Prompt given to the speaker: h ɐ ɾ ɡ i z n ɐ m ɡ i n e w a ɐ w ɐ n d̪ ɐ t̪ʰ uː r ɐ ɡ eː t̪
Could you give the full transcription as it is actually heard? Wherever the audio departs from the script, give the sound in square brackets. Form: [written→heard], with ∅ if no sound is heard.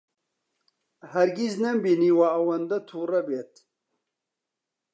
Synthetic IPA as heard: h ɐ ɾ ɡ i z n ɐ m [ɡ→b] i n [e→i] w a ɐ w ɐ n d̪ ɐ t̪ʰ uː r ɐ [ɡ→b] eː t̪